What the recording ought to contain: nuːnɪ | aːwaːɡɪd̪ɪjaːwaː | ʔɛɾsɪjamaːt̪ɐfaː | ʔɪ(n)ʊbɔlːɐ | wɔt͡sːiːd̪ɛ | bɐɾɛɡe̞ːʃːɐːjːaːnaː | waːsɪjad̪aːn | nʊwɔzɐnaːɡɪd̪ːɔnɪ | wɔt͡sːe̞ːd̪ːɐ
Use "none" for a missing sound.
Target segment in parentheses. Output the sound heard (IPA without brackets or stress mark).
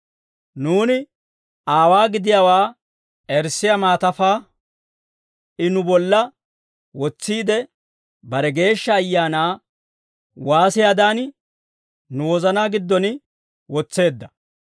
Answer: n